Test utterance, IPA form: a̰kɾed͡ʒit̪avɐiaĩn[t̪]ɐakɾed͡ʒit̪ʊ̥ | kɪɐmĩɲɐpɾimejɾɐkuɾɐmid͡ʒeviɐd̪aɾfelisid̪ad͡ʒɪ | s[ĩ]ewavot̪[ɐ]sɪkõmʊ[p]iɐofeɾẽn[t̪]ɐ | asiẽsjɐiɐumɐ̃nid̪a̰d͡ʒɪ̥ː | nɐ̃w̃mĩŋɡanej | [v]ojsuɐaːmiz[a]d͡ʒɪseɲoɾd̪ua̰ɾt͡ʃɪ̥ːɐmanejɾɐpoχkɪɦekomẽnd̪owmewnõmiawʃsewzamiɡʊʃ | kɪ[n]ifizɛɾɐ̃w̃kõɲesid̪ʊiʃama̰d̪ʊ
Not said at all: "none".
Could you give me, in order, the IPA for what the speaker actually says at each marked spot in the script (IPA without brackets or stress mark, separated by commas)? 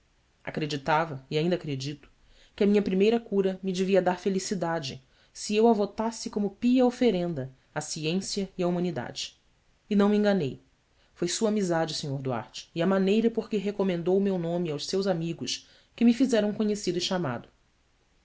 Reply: d̪, i, a, p, d̪, f, a, m